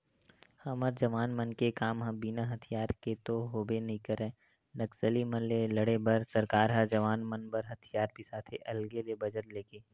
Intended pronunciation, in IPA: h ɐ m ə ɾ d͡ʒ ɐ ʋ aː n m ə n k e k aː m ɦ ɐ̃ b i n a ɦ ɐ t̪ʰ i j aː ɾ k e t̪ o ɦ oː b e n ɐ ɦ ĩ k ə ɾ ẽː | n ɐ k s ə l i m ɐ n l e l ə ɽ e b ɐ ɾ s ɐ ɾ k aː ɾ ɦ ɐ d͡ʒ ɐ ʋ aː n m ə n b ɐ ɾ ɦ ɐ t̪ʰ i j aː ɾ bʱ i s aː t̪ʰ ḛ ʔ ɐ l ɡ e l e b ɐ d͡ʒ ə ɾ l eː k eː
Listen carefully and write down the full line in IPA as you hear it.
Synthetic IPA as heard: h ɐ m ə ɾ d͡ʒ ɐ ʋ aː n m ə n k e k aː m ɦ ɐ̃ b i n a ɦ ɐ t̪ʰ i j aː ɾ k e t̪ o ɦ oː b e n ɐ ɦ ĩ k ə ɾ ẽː | n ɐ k s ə l i m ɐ n l e l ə ɽ e b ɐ ɾ s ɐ ɾ k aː ɾ ɦ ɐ d͡ʒ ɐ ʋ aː n m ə n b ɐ ɾ ɦ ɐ t̪ʰ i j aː ɾ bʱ i s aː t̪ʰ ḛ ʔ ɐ l ɡ e l e b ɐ d͡ʒ ə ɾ l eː k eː